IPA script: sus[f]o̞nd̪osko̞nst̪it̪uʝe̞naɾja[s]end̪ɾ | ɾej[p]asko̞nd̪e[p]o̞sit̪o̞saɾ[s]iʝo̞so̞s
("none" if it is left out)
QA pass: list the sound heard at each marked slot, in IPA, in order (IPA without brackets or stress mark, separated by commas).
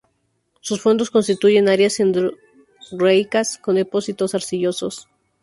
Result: f, s, k, p, s